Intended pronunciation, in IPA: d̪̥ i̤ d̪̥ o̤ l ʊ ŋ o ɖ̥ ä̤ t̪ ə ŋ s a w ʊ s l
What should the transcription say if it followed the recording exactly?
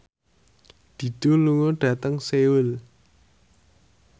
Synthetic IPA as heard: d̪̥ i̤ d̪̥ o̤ l u ŋ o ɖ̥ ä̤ t̪ ə ŋ s e w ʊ l